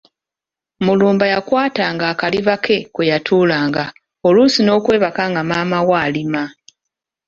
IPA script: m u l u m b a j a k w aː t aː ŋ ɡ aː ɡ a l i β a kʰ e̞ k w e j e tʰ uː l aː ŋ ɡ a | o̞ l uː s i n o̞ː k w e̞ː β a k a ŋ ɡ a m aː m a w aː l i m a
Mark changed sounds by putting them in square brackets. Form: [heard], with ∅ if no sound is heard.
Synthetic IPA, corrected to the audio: m u l [uː] m b a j a k w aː t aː ŋ ɡ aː [k] a l i β a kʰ e̞ k w e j [a] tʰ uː l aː ŋ ɡ a | o̞ l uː s i n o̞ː k w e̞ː β a k a ŋ ɡ a m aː m a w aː l i m a